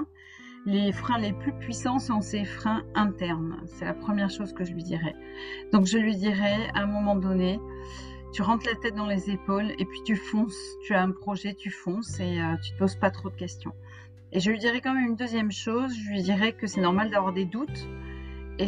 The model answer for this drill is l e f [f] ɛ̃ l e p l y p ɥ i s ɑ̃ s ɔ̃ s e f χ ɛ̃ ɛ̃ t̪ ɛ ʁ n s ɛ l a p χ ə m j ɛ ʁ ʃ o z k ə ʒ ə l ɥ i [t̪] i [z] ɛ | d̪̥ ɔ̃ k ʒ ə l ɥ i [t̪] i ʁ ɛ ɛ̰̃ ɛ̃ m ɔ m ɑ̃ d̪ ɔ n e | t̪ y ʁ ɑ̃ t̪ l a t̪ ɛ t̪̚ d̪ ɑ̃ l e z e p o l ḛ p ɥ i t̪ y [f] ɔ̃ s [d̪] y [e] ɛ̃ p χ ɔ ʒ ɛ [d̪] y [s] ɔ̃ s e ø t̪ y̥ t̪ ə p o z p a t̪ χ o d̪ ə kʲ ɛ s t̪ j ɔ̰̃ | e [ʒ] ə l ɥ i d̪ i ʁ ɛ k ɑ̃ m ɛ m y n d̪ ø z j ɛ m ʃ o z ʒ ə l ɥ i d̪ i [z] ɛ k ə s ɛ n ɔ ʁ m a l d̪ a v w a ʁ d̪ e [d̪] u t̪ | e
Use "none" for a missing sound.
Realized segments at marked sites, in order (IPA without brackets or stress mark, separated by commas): χ, d̪, ʁ, d̪, f, t̪, a, t̪, f, ʒ, ʁ, d̪